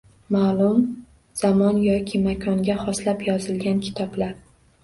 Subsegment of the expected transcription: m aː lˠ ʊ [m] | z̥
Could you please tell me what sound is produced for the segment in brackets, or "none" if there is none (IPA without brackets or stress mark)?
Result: m